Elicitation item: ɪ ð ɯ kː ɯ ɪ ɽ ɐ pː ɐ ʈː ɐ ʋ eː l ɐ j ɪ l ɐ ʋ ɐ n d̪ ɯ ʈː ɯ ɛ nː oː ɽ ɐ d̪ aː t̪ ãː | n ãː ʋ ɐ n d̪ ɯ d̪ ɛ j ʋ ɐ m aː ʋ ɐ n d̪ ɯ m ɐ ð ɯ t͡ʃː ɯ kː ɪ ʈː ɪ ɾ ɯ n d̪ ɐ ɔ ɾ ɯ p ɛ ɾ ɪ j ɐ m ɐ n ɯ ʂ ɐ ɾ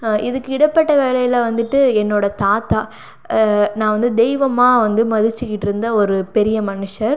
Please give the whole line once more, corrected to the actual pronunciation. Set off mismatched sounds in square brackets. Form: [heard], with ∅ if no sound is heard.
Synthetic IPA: ɪ ð ɯ kː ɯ ɪ ɽ ɐ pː ɐ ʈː ɐ ʋ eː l ɐ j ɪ l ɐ ʋ ɐ n d̪ ɯ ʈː ɯ ɛ nː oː ɽ ɐ [t̪] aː t̪ [aː] | n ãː ʋ ɐ n d̪ ɯ d̪ ɛ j ʋ ɐ m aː ʋ ɐ n d̪ ɯ m ɐ ð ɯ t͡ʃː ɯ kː ɪ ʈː ɪ ɾ ɯ n d̪ ɐ ɔ ɾ ɯ p ɛ ɾ ɪ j ɐ m ɐ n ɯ ʂ ɐ ɾ

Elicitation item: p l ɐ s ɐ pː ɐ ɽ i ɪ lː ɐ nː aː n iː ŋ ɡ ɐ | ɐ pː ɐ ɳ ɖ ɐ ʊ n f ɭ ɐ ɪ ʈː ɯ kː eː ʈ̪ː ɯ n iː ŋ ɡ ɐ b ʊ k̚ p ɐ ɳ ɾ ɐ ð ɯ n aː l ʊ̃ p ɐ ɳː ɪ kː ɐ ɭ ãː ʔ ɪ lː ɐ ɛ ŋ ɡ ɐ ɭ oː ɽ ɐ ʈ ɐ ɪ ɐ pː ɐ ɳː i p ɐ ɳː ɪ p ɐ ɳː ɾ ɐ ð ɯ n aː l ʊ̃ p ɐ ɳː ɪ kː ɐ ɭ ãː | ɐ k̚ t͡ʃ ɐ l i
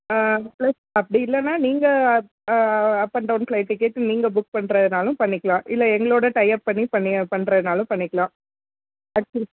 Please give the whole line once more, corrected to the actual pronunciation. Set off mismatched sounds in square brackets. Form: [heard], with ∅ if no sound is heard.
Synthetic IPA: p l ɐ s ɐ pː ɐ ɽ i ɪ lː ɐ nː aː n iː ŋ ɡ ɐ | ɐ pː ɐ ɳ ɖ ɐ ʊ n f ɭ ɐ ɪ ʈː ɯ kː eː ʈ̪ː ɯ n iː ŋ ɡ ɐ b ʊ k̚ p ɐ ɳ ɾ ɐ ð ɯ n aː l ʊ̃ p ɐ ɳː ɪ kː ɐ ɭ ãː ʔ ɪ lː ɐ ɛ ŋ ɡ ɐ ɭ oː ɽ ɐ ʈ ɐ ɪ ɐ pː ɐ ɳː i p ɐ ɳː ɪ p ɐ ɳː ɾ ɐ ð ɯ n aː l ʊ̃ p ɐ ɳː ɪ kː ɐ ɭ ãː | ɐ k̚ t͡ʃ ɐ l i

